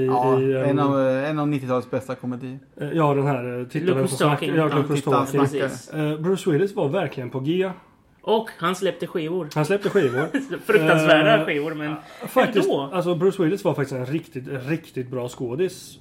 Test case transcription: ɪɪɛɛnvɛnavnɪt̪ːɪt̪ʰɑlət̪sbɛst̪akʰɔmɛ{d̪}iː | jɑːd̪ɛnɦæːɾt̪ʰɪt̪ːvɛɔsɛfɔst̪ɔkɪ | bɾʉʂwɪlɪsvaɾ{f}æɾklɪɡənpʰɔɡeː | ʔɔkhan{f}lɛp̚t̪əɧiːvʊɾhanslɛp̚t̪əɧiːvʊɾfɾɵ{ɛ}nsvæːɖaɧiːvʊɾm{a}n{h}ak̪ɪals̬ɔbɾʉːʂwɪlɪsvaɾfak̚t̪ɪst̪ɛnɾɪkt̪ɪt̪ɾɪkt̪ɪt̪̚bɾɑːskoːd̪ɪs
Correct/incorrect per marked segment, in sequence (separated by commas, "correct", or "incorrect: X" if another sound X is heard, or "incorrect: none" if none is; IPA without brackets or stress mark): correct, incorrect: v, incorrect: s, incorrect: a, incorrect: ɛ, incorrect: f